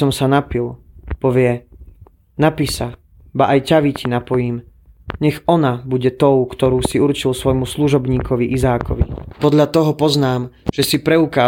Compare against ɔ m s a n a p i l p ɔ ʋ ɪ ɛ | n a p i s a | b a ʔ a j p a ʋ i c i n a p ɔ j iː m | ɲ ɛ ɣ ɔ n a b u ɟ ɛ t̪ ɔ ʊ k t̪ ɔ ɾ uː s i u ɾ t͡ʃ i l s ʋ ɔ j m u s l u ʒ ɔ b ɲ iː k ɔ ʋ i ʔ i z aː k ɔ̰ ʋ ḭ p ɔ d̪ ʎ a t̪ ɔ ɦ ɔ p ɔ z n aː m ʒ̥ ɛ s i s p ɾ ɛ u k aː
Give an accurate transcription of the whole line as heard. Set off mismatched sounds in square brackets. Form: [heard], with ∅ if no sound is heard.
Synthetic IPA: ɔ m s a n a p i l p ɔ ʋ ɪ ɛ | n a p i s a | b a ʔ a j [c] a ʋ i c i n a p ɔ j iː m | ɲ ɛ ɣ ɔ n a b u ɟ ɛ t̪ ɔ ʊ k t̪ ɔ ɾ uː s i u ɾ t͡ʃ i l s ʋ ɔ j m u s l u ʒ ɔ b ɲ iː k ɔ ʋ i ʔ i z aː k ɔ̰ ʋ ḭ p ɔ d̪ ʎ a t̪ ɔ ɦ ɔ p ɔ z n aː m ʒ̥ ɛ s i [∅] p ɾ ɛ u k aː